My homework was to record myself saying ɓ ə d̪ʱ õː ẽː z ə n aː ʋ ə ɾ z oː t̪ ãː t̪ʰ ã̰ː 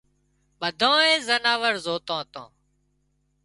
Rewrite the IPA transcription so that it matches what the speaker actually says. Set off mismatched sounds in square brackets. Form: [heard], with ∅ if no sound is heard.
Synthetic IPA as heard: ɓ ə d̪ʱ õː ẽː z ə n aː ʋ ə ɾ z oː t̪ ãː [t̪] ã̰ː

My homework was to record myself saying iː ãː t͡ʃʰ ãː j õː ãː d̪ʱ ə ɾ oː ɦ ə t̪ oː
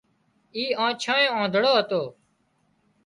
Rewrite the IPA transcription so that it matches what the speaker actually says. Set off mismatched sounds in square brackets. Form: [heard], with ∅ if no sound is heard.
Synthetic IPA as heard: iː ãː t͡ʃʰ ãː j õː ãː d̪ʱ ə [ɽ] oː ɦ ə t̪ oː

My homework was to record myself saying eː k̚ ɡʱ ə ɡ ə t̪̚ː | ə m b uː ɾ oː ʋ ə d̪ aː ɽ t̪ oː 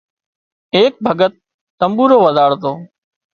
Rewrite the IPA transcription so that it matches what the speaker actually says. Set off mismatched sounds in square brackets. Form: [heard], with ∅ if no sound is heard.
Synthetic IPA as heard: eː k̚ [bʱ] ə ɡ ə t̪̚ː | ə m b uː ɾ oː ʋ ə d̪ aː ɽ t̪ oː

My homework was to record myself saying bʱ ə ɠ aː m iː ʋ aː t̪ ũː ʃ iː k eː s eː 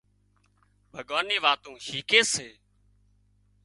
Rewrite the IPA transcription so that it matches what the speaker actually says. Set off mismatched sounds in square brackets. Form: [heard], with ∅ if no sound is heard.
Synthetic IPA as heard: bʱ ə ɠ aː [n] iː ʋ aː t̪ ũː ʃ iː k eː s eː

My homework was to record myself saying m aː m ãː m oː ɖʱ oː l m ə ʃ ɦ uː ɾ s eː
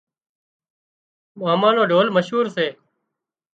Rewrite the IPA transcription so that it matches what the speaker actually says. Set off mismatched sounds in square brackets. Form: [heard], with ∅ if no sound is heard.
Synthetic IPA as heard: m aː m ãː [n] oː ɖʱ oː l m ə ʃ ɦ uː ɾ s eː

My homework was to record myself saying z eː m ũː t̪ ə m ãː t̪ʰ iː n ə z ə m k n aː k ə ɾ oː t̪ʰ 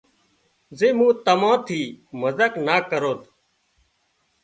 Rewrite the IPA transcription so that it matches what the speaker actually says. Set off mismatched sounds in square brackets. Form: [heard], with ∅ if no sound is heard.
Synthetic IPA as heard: z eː m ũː t̪ ə m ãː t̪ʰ iː [m] ə z ə [∅] k n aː k ə ɾ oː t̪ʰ

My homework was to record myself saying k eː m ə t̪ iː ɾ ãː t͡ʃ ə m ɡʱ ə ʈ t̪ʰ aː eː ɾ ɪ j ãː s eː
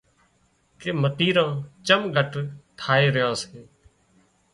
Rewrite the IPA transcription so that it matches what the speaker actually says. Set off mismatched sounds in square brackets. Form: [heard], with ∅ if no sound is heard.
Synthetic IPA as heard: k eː m ə t̪ iː ɾ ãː t͡ʃ ə m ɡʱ ə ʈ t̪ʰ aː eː ɾ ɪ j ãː s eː

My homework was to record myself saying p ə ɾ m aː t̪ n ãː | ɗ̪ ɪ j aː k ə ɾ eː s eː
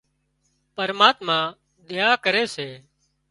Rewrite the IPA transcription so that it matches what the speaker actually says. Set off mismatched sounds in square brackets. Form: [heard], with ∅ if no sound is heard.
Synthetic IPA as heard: p ə ɾ m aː t̪ [m] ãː | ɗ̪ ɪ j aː k ə ɾ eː s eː

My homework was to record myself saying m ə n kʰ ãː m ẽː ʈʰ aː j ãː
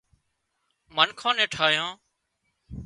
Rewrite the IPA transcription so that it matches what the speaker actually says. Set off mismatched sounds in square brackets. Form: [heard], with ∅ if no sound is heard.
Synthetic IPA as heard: m ə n kʰ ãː [n] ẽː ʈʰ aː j ãː

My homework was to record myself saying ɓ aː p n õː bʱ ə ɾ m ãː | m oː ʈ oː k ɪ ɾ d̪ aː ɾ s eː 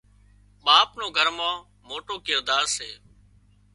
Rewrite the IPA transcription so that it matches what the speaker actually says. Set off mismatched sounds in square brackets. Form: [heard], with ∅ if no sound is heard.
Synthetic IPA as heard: ɓ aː p n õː [ɡʱ] ə ɾ m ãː | m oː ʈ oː k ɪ ɾ d̪ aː ɾ s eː

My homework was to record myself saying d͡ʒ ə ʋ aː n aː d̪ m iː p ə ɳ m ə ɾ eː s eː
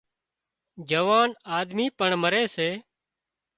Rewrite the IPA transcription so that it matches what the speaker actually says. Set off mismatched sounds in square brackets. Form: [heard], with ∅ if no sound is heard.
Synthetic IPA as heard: d͡ʒ ə ʋ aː n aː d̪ m iː p ə ɳ m ə ɾ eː s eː

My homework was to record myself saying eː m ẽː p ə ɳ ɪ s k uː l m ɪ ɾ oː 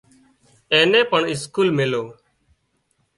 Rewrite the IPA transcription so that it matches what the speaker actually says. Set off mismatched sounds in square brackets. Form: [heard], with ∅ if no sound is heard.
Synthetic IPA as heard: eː [n] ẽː p ə ɳ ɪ s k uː l m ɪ [l] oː

